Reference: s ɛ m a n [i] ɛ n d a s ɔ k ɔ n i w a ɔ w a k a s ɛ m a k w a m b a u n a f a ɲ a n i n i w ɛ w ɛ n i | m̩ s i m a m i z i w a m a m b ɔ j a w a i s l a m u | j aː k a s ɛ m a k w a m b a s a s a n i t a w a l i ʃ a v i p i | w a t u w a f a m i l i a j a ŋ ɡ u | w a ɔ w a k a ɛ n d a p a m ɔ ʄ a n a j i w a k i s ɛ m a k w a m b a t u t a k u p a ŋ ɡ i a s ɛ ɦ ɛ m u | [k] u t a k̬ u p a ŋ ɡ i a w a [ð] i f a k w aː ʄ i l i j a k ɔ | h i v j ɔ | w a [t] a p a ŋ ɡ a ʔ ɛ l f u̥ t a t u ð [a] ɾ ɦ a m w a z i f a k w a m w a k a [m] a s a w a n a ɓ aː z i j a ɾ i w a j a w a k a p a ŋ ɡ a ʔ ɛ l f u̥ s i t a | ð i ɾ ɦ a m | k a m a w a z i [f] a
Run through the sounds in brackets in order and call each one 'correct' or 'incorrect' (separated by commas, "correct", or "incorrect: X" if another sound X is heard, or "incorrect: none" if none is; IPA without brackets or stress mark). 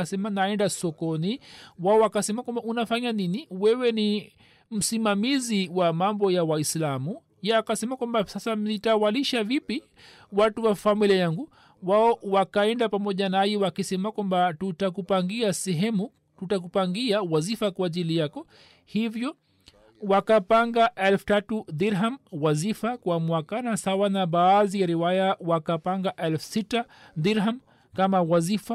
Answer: incorrect: a, incorrect: t, incorrect: z, incorrect: k, incorrect: i, incorrect: n, correct